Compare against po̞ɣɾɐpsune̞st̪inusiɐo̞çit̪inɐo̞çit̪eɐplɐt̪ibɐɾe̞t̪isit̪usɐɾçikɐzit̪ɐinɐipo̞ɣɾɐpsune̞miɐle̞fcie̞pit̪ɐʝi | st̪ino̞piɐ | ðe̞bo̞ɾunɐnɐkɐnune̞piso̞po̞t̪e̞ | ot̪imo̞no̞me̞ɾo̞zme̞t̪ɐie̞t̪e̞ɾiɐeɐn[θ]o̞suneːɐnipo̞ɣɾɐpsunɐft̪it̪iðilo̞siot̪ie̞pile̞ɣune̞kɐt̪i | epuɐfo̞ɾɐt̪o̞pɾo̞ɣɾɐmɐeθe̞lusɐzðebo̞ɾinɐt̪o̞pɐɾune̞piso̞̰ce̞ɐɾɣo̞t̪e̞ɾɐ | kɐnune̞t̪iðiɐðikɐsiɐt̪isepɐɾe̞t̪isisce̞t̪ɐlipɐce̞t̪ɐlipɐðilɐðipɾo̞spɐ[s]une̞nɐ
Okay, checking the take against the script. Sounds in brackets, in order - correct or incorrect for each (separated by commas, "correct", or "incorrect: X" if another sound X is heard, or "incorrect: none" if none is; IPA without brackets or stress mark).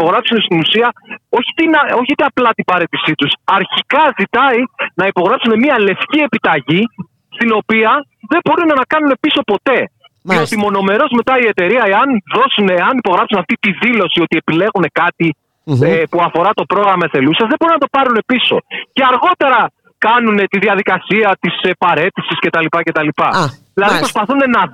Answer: incorrect: ð, incorrect: θ